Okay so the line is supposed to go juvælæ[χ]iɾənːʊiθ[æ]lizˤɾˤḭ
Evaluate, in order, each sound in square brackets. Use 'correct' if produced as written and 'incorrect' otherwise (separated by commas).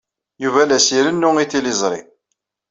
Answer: incorrect, incorrect